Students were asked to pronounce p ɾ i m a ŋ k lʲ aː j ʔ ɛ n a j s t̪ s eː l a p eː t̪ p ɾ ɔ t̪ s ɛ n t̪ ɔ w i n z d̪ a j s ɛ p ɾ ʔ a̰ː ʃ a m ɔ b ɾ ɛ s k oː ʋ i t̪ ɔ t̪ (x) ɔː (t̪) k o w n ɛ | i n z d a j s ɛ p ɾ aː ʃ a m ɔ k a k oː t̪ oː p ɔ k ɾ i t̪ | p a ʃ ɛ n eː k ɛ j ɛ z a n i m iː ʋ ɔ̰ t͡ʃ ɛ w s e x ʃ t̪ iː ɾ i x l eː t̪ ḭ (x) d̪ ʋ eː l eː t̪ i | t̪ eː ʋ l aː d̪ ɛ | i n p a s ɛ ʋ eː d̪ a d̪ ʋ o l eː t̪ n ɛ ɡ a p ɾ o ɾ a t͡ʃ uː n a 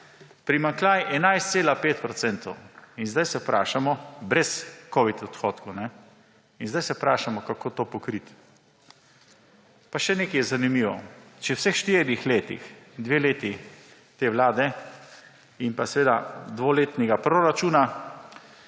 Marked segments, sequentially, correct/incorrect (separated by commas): correct, correct, correct